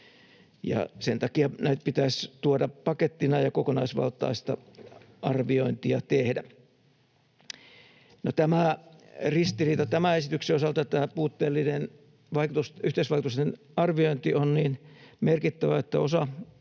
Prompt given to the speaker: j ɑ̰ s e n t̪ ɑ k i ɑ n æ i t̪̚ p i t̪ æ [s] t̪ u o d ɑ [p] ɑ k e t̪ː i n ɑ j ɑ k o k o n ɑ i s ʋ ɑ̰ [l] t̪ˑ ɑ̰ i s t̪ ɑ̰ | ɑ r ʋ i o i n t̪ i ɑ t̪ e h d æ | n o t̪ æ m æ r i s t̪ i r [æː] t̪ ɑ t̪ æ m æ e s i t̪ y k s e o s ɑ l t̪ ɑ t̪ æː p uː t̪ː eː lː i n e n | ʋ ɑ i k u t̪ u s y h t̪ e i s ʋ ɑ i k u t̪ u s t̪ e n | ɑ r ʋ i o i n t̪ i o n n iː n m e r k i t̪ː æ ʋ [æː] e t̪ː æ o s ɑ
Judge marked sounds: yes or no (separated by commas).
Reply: yes, yes, yes, no, no